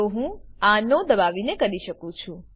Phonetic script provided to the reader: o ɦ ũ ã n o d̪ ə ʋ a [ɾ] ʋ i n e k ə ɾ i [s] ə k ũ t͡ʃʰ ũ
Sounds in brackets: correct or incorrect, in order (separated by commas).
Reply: incorrect, incorrect